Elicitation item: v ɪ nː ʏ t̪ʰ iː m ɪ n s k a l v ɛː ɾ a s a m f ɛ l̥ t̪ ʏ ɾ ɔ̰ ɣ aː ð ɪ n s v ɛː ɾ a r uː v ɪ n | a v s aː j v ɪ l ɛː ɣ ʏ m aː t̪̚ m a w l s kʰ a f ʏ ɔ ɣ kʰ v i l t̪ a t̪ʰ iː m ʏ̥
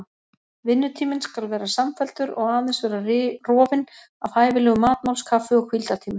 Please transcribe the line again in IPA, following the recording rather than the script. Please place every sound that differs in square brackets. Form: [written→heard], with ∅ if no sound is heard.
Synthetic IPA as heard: v ɪ nː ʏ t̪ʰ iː m ɪ n s k a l v ɛː ɾ a s a m f ɛ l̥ t̪ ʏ ɾ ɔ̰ ɣ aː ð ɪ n s v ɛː ɾ a r [uː→ɔː] v ɪ n | a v [s→h] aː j v ɪ l ɛː ɣ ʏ m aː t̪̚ m a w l s kʰ a f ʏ ɔ ɣ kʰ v i l t̪ a t̪ʰ iː m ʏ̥